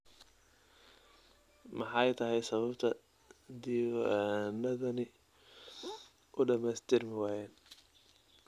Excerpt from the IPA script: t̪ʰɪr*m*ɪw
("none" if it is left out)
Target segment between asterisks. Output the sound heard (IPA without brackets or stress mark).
m